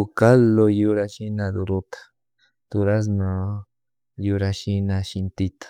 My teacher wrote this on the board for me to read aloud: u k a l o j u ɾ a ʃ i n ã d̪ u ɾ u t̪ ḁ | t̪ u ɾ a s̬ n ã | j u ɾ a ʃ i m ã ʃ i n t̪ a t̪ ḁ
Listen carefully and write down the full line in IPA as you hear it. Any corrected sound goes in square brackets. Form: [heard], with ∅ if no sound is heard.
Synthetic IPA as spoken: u k a l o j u ɾ a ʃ i n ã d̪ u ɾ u t̪ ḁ | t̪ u ɾ a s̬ n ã | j u ɾ a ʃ i [n] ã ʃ i n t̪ [i] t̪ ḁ